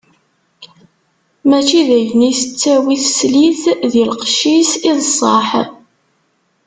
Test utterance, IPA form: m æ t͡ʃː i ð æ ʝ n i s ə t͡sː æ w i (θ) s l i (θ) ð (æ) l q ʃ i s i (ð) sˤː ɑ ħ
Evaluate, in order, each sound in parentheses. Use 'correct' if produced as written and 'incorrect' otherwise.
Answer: correct, correct, incorrect: i, correct

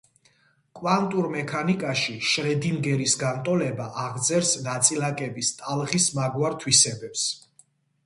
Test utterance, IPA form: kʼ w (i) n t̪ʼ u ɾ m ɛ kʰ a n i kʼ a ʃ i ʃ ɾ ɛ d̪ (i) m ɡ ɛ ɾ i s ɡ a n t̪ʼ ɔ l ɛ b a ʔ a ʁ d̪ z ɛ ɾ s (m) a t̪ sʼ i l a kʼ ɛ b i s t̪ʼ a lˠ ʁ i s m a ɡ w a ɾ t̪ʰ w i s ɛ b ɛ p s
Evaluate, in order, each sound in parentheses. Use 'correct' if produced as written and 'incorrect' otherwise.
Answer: incorrect: a, correct, incorrect: n

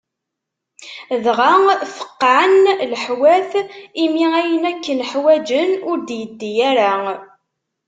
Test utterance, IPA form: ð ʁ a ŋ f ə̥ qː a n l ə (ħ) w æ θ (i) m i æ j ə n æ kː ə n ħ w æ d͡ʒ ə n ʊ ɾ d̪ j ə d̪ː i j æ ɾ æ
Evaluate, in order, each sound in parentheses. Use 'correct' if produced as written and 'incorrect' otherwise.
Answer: correct, correct

